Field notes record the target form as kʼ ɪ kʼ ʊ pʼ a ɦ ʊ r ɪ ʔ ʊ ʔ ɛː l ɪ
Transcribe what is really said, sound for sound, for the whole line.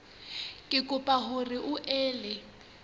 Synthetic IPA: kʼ ɪ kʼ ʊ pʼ a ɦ ʊ r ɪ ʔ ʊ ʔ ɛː l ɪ